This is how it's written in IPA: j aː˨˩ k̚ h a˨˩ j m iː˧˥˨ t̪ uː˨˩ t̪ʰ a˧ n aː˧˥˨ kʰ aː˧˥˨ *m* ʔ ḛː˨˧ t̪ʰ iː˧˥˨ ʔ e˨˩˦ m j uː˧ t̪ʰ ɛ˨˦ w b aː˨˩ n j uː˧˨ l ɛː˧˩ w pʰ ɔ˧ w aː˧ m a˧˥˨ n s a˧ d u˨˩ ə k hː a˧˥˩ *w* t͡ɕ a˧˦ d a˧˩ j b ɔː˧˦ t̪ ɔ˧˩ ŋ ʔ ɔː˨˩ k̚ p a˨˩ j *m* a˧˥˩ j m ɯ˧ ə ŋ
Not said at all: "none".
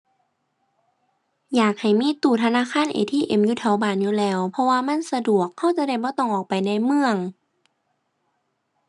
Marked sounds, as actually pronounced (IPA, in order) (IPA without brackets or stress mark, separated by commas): n, w, n